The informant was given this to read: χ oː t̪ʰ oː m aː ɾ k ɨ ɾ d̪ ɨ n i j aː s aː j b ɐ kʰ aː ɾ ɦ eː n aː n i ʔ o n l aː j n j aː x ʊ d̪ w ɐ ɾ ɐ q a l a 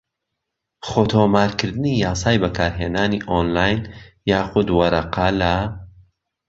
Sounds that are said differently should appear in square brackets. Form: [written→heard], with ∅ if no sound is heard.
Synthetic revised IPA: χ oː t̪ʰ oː m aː ɾ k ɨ ɾ d̪ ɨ n i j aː s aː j b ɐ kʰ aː ɾ ɦ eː n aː n i ʔ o n l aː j n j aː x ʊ d̪ w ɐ ɾ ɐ q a l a